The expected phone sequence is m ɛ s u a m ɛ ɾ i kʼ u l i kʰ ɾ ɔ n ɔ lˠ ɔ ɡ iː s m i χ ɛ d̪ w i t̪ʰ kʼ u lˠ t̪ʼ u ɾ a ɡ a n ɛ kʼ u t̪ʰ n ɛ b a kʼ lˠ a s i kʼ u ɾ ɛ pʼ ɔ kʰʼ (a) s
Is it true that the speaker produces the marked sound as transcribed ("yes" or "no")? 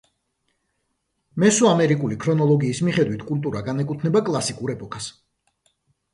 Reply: yes